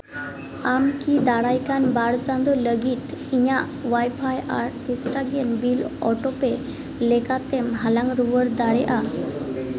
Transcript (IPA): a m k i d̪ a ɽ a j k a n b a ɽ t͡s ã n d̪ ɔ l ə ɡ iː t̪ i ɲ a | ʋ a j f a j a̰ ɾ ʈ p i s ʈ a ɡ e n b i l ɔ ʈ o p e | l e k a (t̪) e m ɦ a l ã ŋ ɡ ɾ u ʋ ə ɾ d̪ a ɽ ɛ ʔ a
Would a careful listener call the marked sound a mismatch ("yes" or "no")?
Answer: no